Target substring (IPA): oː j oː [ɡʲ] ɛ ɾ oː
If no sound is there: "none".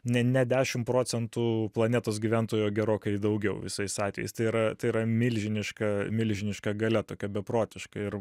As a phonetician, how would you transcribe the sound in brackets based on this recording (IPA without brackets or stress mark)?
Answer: ɡʲ